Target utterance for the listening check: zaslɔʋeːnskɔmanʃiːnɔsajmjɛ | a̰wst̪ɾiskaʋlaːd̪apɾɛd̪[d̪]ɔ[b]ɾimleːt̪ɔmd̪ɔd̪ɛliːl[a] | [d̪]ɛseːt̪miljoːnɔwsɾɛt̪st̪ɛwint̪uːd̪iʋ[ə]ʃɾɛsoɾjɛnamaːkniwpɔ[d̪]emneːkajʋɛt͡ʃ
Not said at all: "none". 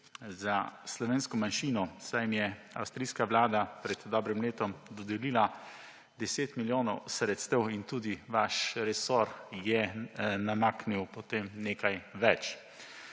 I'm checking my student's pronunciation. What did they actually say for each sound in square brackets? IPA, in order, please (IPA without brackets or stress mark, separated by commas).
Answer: d̪, b, a, d̪, a, t̪